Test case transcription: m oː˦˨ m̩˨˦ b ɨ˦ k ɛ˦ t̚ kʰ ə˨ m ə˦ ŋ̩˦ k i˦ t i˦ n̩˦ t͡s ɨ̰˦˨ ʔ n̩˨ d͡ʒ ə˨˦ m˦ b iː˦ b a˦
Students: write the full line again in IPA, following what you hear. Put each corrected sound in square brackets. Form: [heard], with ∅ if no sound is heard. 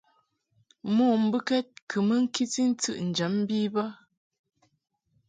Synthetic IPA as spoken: m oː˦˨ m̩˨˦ b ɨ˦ k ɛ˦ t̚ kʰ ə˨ m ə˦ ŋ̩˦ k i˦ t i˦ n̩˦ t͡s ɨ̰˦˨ ʔ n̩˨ d͡ʒ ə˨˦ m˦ b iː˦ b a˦